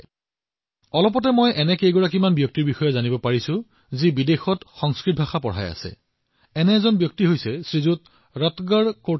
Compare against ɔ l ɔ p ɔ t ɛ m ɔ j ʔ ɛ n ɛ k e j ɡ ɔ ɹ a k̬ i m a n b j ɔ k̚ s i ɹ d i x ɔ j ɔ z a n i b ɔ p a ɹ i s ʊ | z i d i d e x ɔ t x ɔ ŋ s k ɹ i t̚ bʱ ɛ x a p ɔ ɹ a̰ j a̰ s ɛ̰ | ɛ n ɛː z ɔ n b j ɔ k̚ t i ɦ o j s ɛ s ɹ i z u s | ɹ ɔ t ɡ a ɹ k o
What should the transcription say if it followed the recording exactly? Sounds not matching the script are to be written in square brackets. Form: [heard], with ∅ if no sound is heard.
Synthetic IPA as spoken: ɔ l ɔ p ɔ t ɛ m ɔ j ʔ ɛ n ɛ k e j ɡ ɔ ɹ a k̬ i m a n b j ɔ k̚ [t] i ɹ [b] i x ɔ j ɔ z a n i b ɔ p a ɹ i s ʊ | z i [b] i d e x ɔ t x ɔ ŋ s k ɹ i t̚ bʱ [a] x a p ɔ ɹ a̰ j a̰ s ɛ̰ | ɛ n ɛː z ɔ n b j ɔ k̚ t i ɦ o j s ɛ s ɹ i z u [t] | ɹ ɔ t ɡ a ɹ k o